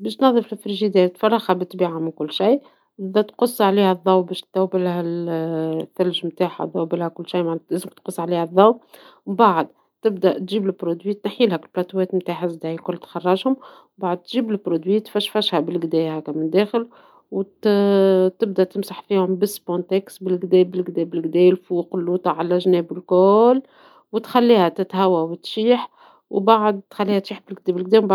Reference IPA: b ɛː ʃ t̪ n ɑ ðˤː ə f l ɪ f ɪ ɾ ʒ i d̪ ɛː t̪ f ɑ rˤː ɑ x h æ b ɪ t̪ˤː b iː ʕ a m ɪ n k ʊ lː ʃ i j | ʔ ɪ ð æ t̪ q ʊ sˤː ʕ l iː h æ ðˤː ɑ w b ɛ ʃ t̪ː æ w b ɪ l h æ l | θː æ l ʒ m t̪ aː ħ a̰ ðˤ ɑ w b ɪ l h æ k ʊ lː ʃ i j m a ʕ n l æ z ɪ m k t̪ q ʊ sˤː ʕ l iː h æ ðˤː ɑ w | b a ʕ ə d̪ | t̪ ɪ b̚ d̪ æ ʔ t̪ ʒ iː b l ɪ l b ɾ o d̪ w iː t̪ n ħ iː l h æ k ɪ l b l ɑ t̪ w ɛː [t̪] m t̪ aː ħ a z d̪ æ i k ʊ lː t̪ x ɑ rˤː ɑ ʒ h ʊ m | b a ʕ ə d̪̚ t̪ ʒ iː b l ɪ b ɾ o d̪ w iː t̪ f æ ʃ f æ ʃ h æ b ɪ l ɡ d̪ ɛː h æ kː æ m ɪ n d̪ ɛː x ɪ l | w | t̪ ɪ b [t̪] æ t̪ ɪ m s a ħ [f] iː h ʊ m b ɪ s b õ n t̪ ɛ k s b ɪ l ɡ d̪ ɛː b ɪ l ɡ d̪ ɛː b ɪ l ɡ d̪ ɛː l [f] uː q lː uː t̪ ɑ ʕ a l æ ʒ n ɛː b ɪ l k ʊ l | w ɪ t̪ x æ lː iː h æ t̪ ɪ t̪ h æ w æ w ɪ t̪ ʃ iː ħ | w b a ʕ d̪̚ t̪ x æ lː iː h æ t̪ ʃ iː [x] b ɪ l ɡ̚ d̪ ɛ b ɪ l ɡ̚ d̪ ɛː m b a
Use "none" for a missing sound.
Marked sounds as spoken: t̪, d̪, f, f, ħ

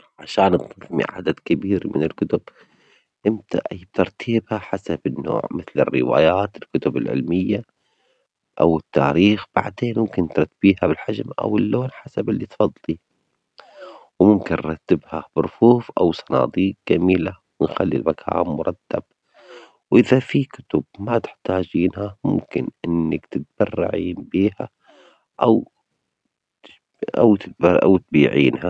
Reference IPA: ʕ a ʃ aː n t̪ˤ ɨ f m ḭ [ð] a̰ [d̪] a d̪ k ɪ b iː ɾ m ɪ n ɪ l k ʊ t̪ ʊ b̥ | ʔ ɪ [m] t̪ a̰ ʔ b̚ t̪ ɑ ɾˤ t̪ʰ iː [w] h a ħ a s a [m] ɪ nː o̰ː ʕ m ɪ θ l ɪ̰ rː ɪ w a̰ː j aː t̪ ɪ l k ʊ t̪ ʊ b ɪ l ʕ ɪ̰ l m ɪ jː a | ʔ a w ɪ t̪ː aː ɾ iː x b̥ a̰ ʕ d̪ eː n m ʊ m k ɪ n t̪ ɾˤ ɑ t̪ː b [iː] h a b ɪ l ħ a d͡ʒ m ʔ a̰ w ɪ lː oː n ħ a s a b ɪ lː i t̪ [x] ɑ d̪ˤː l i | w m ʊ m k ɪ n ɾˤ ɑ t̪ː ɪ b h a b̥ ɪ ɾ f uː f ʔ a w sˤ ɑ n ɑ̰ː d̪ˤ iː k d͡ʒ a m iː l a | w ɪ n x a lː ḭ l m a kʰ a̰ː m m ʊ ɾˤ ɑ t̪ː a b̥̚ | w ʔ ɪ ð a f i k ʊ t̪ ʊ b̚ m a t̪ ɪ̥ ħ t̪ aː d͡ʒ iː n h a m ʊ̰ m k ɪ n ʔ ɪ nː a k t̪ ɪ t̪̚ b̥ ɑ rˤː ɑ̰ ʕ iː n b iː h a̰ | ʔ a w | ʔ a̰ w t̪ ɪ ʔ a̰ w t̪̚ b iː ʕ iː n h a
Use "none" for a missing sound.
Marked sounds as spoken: ʕ, d̪, m, b, b, iː, f

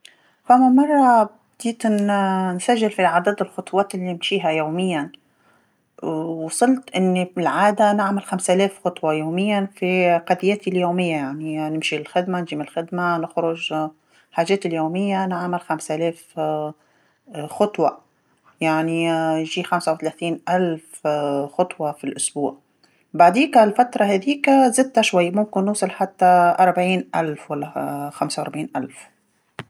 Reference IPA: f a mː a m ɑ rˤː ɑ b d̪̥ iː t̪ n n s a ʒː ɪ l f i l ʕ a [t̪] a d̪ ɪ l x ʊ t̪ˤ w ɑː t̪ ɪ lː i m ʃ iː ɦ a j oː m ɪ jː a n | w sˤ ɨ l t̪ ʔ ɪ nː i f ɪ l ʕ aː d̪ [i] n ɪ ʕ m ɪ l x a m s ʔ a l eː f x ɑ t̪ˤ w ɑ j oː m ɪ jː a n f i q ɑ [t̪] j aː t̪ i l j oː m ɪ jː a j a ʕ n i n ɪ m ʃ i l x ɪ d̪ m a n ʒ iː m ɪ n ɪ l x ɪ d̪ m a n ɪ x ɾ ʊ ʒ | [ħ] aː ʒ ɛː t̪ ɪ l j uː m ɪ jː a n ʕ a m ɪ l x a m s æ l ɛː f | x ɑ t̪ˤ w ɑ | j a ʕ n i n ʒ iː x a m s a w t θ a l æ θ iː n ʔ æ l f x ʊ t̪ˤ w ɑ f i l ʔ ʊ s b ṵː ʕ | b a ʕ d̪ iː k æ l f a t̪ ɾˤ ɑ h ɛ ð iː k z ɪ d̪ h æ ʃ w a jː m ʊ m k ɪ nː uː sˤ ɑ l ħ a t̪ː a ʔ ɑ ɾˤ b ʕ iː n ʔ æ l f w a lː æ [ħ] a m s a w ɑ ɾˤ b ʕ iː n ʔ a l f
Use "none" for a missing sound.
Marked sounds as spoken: d̪, a, d̪, ħ, x

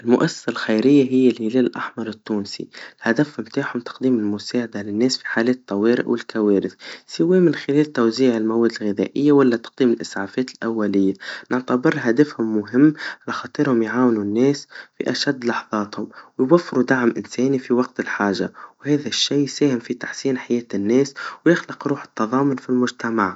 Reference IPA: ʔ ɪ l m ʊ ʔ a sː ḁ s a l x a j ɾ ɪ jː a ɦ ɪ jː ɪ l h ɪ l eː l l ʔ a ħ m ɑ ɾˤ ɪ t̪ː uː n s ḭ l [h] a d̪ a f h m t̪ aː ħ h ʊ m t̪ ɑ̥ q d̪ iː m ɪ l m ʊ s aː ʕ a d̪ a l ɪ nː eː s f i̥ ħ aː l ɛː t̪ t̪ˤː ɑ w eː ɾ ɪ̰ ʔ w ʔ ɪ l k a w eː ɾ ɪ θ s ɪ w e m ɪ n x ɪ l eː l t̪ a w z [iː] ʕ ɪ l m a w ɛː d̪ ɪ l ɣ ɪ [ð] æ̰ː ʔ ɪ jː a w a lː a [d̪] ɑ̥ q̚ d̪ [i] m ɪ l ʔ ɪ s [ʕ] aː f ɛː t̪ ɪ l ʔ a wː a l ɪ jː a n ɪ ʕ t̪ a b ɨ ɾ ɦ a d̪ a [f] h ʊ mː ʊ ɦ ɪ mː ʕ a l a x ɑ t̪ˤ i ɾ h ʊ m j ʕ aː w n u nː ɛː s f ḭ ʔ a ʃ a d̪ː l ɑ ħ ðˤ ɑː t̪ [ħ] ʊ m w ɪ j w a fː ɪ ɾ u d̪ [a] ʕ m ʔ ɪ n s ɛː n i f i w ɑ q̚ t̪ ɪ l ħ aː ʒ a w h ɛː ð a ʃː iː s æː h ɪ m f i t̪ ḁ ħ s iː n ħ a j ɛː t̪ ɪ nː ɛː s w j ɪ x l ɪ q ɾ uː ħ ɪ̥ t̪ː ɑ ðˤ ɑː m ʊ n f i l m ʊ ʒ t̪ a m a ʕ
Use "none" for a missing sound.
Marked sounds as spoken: h, iː, ð, t̪, iː, ʕ, f, h, a

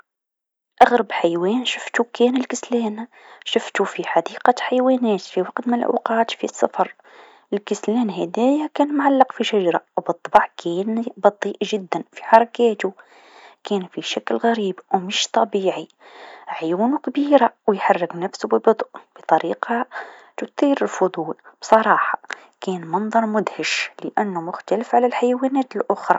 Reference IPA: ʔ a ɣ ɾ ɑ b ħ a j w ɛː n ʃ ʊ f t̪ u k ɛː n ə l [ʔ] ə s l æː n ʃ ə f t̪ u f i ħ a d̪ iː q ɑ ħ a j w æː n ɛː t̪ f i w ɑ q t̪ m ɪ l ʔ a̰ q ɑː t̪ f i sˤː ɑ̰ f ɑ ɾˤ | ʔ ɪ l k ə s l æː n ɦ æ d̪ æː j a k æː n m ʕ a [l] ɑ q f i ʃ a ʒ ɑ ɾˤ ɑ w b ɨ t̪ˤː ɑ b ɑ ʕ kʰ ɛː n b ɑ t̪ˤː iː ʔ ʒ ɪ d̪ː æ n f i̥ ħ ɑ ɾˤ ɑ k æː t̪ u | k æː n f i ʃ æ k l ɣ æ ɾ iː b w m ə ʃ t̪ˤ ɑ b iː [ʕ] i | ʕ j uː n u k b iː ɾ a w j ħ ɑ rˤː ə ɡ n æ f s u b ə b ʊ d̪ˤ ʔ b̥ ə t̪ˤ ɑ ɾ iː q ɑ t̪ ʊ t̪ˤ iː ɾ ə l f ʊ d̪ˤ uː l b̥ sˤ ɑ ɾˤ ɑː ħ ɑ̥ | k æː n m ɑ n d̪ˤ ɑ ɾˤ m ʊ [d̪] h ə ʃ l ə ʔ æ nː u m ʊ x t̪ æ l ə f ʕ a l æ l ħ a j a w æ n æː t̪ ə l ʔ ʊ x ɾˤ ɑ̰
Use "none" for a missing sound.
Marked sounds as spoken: k, lː, ʕ, d̪

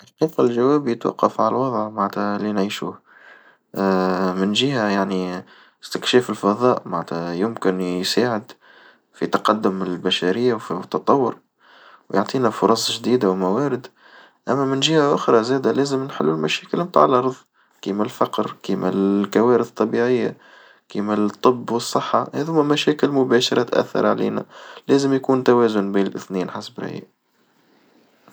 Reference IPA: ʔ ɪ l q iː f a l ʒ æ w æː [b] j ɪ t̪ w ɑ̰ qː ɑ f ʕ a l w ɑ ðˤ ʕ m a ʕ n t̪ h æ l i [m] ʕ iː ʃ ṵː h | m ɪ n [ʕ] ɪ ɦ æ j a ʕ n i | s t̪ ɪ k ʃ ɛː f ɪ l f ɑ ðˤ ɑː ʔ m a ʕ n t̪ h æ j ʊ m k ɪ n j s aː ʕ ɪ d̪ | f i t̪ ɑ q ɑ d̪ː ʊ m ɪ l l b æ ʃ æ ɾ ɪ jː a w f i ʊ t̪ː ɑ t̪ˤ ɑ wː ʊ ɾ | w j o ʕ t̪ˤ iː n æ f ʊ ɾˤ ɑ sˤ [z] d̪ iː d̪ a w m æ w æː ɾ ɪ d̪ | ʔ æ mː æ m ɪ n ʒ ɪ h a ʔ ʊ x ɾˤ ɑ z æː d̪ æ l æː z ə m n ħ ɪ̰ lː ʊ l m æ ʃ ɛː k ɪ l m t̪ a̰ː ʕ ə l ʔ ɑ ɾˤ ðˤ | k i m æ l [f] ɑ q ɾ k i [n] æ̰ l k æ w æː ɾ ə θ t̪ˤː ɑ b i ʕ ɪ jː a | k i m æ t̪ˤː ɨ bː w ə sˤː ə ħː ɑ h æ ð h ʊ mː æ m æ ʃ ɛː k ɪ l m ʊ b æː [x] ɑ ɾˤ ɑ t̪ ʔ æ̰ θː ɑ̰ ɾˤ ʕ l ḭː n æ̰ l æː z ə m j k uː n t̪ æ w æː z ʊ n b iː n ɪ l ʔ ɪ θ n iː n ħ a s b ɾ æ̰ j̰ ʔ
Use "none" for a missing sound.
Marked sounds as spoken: b, n, ʒ, ʒ, f, m, ʃ

